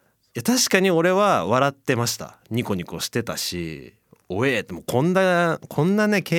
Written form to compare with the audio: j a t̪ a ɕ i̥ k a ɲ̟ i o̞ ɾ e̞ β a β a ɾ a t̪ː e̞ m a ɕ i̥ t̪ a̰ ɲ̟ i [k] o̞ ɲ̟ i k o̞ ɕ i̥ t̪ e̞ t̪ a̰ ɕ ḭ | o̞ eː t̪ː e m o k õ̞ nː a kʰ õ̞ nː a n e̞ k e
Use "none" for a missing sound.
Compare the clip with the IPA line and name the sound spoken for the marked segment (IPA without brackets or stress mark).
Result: k